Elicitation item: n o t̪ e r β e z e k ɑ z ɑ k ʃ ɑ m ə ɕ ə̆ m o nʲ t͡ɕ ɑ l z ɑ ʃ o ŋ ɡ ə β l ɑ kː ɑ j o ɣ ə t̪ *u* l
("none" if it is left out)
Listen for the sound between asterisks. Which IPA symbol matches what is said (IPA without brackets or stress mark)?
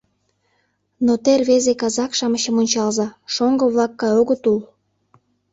u